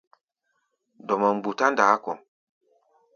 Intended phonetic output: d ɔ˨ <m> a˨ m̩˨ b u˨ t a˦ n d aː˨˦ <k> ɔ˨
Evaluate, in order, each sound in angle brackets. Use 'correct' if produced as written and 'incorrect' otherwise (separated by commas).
correct, correct